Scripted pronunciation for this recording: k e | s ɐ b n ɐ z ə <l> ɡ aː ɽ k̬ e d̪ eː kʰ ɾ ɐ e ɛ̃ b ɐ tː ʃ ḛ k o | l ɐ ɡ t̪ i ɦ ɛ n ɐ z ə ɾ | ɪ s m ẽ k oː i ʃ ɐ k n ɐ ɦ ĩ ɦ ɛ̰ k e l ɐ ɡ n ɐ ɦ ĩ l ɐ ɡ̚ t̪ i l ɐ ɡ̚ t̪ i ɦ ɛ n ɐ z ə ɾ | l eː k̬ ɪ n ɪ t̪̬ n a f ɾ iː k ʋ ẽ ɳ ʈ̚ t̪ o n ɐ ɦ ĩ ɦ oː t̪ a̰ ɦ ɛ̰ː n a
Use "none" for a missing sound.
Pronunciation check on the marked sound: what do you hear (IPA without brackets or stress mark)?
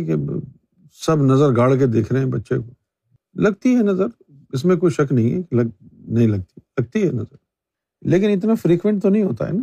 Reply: ɾ